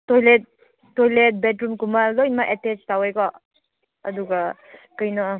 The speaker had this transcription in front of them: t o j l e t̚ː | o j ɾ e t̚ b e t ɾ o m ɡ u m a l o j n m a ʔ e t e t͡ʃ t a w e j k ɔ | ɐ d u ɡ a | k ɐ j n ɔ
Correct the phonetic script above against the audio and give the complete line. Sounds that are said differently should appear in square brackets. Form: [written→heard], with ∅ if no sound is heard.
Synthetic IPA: t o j l e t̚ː | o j [ɾ→l] e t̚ b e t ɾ [o→u] m [ɡ→k] u m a l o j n m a ʔ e t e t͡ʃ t a w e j k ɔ | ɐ d u ɡ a | k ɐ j n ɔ

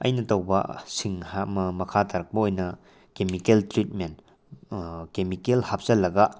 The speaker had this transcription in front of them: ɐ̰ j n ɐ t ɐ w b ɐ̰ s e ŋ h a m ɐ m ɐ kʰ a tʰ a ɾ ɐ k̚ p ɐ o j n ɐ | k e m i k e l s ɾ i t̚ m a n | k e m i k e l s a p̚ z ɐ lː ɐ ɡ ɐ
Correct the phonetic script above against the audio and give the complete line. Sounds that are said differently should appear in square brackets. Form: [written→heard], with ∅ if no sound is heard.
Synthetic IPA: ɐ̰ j n ɐ t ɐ w b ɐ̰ s [e→i] ŋ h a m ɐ m ɐ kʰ a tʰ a ɾ ɐ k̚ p ɐ o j n ɐ | k e m i k e l [s→t] ɾ i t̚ m [a→e] n | k e m i k e l [s→h] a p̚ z ɐ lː ɐ ɡ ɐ

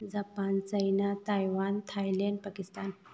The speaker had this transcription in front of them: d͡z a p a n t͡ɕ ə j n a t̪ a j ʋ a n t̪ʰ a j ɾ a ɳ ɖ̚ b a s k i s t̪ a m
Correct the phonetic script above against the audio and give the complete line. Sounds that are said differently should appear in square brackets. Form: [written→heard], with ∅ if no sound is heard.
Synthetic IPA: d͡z a p a n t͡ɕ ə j n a t̪ a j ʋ a n t̪ʰ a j [ɾ→l] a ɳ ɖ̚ [b→p] a [s→∅] k i s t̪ a [m→n]

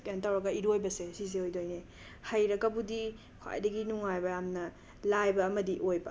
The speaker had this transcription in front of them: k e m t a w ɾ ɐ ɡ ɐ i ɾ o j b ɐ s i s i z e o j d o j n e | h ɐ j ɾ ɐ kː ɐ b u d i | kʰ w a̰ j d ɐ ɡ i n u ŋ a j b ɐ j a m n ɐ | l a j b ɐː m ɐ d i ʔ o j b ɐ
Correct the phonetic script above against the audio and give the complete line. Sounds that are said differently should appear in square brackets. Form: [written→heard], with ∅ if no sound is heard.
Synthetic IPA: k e [m→n] t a w ɾ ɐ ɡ ɐ i ɾ o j b ɐ s [i→e] s i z e o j d o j n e | h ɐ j ɾ ɐ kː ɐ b u d i | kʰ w a̰ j d ɐ ɡ i n u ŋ a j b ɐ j a m n ɐ | l a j b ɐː m ɐ d i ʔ o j b ɐ

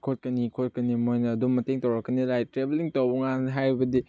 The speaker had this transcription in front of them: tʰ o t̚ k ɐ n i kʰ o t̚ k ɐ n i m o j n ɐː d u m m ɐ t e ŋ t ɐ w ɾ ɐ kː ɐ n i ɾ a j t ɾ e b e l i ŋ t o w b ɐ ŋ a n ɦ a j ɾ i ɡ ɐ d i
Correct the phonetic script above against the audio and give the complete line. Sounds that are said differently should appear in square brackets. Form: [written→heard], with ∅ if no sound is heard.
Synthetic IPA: [tʰ→kʰ] o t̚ k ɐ n i kʰ o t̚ k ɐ n i m o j n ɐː d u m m ɐ t e ŋ t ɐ w ɾ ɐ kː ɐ n i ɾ a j t ɾ e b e l i ŋ t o w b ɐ ŋ a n ɦ a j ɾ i [ɡ→b] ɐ d i

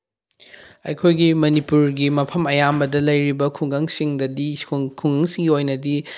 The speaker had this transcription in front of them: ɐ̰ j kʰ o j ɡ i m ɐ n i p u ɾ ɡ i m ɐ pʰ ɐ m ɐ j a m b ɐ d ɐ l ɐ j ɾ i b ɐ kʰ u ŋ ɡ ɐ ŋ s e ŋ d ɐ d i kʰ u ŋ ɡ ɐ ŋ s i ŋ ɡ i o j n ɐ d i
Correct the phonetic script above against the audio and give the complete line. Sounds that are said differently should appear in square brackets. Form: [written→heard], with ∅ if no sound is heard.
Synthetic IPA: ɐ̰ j kʰ o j ɡ i m ɐ n i p u ɾ ɡ i m ɐ pʰ ɐ m ɐ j a m b ɐ d ɐ l ɐ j ɾ i b ɐ kʰ u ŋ ɡ ɐ ŋ s [e→i] ŋ d ɐ d i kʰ u ŋ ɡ ɐ ŋ s i ŋ ɡ i o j n ɐ d i

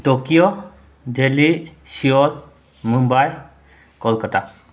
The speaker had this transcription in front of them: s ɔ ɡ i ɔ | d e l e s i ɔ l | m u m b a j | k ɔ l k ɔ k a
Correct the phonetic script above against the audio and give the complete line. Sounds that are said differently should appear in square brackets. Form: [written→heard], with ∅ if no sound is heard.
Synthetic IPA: [s→t] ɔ [ɡ→k] i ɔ | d e l [e→i] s i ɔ l | m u m b a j | k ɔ l k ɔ [k→t] a

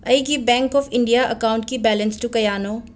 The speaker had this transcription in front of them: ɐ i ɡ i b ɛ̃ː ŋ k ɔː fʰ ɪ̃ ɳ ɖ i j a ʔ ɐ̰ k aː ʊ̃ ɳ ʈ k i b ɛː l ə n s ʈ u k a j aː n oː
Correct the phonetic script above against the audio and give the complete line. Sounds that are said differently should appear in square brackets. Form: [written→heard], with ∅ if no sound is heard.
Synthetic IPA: ɐ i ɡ i b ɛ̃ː ŋ k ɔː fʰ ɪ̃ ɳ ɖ i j a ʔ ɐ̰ k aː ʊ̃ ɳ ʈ k i b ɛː l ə n s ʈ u k [a→ɐ] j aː n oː

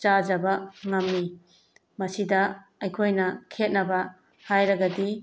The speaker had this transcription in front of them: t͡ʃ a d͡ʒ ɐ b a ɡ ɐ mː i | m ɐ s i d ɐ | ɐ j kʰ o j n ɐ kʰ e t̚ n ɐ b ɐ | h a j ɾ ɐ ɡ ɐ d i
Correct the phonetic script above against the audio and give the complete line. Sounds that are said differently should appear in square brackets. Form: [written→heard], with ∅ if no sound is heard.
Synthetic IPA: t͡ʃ a d͡ʒ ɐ b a [ɡ→ŋ] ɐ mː i | m ɐ s i d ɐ | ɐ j kʰ o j n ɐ kʰ e t̚ n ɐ b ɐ | h a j ɾ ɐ ɡ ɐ d i

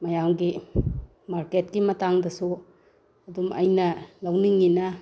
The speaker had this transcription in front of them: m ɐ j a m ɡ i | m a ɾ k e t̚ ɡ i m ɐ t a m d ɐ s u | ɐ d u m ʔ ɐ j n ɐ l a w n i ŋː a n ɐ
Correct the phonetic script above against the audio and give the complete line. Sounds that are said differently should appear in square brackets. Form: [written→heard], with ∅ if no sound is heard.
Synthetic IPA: m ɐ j a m ɡ i | m a ɾ k e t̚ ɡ i m ɐ t a [m→ŋ] d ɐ s u | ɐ d u m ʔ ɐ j n ɐ l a w n i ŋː [a→i] n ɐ

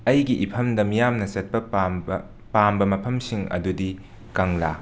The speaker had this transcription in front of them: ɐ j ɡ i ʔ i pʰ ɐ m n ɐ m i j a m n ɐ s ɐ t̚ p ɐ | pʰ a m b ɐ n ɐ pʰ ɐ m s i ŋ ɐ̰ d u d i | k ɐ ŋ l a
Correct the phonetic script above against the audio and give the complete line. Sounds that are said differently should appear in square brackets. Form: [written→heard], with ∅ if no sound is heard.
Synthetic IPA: ɐ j ɡ i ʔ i pʰ ɐ m [n→d] ɐ m i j a m n ɐ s ɐ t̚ p ɐ | [pʰ→p] a m b ɐ [n→m] ɐ pʰ ɐ m s i ŋ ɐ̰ d u d i | k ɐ ŋ l a

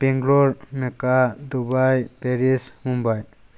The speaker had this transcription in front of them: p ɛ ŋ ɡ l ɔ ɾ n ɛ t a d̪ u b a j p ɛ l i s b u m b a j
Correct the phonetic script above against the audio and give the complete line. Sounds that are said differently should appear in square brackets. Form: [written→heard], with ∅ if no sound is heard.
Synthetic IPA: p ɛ ŋ ɡ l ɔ ɾ [n→m] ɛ [t→k] a d̪ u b a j p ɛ [l→ɾ] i s [b→m] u m b a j

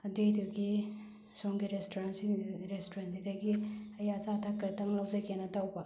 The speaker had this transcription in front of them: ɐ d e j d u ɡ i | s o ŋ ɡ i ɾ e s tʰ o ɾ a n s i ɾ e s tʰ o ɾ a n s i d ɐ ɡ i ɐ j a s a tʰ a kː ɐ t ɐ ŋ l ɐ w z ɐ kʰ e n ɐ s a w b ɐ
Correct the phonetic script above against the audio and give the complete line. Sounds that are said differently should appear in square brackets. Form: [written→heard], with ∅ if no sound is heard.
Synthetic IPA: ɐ d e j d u ɡ i | s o ŋ ɡ i ɾ e s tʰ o ɾ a n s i ɾ e s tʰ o ɾ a n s i d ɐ ɡ i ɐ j a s a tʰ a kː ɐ t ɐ ŋ l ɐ w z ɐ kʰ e n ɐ [s→t] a w b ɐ

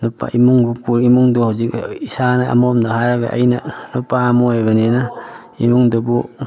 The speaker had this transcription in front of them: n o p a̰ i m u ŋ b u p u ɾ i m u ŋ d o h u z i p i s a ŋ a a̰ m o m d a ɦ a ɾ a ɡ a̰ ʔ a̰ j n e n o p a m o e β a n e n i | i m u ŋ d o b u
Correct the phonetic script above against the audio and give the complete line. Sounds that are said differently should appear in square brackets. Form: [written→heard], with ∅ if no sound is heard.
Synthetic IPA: n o p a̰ i m u ŋ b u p u ɾ i m u ŋ d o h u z i [p→k] i s a [ŋ→n] a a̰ m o m d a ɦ a ɾ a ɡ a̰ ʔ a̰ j n [e→a] n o p a m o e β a n e n [i→a] | i m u ŋ d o b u

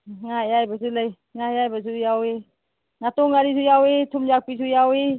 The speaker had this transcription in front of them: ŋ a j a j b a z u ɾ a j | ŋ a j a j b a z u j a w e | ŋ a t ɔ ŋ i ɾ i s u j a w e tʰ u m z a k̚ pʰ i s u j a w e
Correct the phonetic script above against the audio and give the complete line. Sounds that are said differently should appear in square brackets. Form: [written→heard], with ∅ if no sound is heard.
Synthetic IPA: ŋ a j a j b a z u [ɾ→l] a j | ŋ a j a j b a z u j a w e | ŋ a t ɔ ŋ [i→a] ɾ i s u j a w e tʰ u m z a k̚ [pʰ→p] i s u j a w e

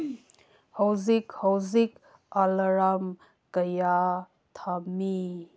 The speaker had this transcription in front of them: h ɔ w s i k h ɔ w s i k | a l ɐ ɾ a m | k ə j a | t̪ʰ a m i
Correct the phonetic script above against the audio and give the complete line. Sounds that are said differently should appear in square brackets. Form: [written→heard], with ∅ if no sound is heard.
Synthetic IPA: h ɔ w [s→z] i k h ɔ w [s→z] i k | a l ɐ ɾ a m | k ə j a | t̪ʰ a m i

